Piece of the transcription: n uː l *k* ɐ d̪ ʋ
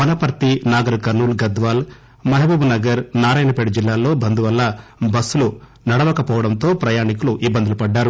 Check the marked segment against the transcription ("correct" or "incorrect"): incorrect